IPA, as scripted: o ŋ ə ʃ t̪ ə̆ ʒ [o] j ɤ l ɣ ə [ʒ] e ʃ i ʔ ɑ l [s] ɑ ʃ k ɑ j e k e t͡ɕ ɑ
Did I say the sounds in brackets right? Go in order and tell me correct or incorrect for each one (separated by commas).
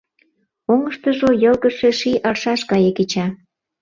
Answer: correct, incorrect, incorrect